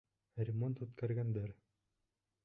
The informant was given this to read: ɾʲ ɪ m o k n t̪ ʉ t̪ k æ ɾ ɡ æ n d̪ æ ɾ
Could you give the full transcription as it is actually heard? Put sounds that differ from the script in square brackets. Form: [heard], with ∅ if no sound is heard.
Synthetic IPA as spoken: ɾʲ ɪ m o [∅] n t̪ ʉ t̪ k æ ɾ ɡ æ n d̪ æ ɾ